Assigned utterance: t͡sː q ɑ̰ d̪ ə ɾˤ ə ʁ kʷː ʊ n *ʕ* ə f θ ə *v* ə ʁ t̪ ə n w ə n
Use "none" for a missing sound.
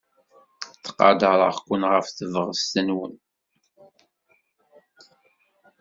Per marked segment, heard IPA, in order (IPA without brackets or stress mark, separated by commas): ʁ, v